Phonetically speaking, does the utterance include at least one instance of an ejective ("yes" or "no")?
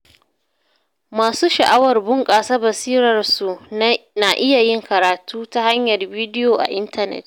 yes